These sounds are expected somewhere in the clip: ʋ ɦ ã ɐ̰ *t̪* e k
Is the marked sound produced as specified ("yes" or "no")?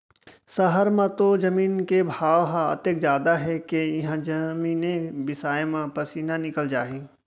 yes